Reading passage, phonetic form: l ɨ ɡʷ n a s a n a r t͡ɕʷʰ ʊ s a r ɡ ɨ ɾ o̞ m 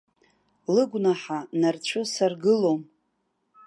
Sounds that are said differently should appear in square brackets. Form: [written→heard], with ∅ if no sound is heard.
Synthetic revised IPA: l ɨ ɡʷ n a [s→ħ] a n a r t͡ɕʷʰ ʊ s a r ɡ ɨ [ɾ→l] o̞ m